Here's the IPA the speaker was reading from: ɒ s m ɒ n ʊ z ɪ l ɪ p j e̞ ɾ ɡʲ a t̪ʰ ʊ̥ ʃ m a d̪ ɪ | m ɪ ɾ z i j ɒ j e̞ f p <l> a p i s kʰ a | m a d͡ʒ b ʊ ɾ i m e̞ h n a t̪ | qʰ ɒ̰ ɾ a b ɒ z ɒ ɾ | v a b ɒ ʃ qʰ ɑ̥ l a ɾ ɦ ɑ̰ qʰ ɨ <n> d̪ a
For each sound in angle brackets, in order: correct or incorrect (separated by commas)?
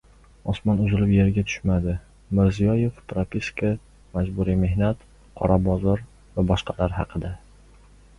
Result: incorrect, incorrect